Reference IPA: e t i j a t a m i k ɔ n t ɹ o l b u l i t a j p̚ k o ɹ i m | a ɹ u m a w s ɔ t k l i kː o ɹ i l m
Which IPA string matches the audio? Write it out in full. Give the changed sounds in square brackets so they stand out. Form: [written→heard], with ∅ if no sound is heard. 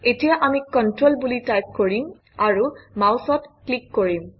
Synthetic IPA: e t i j a [t→ʔ] a m i k ɔ n t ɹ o l b u l i t a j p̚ k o ɹ i m | a ɹ u m a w s ɔ t k l i kː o ɹ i [l→∅] m